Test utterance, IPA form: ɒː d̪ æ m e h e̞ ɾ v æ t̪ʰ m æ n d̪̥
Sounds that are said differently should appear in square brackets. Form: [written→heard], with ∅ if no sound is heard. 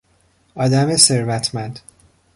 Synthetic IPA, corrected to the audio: ɒː d̪ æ m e [h→s] e̞ ɾ v æ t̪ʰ m æ n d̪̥